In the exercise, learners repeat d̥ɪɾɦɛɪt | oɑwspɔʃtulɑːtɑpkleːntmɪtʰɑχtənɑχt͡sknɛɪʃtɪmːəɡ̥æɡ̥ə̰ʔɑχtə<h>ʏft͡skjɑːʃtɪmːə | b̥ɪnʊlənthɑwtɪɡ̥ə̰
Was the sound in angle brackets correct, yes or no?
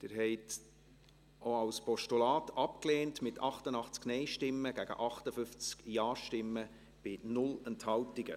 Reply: no